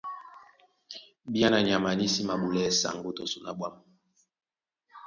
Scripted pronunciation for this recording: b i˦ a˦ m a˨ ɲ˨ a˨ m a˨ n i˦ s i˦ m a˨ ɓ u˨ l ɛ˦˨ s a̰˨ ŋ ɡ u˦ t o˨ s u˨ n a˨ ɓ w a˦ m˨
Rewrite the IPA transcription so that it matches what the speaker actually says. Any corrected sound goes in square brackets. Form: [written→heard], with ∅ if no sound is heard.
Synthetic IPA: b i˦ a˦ [m→n] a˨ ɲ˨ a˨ m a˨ n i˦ s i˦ m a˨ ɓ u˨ l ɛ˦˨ s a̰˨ ŋ ɡ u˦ t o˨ s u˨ n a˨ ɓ w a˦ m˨